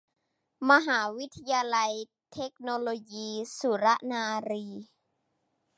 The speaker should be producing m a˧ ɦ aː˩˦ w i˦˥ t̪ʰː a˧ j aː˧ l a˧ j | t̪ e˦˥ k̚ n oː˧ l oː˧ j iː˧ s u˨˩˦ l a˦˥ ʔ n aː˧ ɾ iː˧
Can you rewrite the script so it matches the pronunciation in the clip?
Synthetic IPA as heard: m a˧ ɦ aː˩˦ w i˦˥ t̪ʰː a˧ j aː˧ l a˧ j | t̪ʰ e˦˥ k̚ n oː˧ l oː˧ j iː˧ s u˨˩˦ ɾ a˦˥ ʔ n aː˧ ɾ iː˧